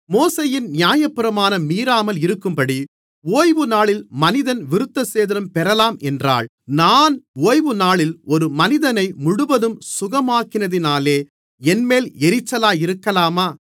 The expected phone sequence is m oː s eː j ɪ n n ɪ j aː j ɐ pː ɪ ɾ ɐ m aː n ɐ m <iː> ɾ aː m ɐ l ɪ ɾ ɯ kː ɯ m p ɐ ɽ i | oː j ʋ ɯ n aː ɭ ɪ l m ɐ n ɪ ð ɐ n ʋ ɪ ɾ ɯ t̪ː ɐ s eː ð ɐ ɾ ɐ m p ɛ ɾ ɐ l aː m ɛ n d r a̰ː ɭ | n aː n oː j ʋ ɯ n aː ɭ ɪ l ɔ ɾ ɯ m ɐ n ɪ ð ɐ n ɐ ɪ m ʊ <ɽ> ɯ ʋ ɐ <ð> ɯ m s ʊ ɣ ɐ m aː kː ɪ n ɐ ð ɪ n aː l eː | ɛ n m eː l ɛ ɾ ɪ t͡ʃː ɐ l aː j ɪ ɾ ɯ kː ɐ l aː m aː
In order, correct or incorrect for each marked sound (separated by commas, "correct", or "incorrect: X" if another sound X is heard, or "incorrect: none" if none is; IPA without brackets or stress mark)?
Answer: correct, correct, correct